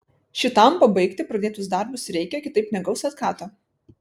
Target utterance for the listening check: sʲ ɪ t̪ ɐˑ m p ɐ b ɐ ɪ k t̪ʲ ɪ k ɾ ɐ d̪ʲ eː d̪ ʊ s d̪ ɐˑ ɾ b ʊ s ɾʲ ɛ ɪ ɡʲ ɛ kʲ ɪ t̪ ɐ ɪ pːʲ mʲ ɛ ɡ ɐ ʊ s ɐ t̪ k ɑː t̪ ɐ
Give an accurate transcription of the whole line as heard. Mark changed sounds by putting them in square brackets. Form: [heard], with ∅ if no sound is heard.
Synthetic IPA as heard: [ʃʲ] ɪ t̪ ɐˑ m p ɐ b ɐ ɪ k t̪ʲ ɪ [p] ɾ ɐ d̪ʲ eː [t̪] ʊ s d̪ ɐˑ ɾ b ʊ s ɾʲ ɛ ɪ [kʲ] ɛ kʲ ɪ t̪ ɐ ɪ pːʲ [nʲ] ɛ ɡ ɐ ʊ s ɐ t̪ k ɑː t̪ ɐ